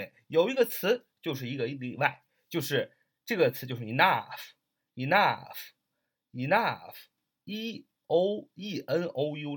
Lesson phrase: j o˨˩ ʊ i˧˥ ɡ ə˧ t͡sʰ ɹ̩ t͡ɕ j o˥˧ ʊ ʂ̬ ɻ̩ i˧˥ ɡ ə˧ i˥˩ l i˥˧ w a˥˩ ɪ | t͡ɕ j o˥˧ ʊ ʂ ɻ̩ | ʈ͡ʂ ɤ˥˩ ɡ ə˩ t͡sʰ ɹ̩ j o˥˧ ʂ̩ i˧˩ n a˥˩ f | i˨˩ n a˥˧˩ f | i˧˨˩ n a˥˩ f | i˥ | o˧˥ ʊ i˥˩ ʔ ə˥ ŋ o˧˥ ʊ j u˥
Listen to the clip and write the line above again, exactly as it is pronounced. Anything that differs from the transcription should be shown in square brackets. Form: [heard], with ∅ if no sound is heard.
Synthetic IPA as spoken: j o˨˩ ʊ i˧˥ ɡ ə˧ t͡sʰ ɹ̩ t͡ɕ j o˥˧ ʊ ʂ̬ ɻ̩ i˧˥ ɡ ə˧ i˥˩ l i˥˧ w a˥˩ ɪ | t͡ɕ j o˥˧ ʊ ʂ ɻ̩ | ʈ͡ʂ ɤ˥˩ ɡ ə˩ t͡sʰ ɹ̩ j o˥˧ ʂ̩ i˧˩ n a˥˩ f | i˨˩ n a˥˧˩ f | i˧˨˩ n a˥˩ f | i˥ | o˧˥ ʊ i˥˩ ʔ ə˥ [n] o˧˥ ʊ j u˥